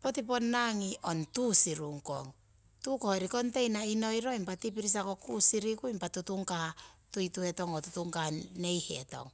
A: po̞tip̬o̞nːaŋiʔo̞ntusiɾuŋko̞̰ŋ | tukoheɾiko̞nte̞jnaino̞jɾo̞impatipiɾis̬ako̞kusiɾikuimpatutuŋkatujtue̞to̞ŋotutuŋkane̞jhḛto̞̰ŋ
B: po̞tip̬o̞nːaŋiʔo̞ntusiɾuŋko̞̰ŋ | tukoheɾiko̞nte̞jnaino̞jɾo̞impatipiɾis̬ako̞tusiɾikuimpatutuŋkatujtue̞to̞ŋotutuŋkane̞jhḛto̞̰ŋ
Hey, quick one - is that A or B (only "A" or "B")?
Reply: A